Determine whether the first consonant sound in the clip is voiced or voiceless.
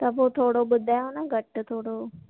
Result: voiceless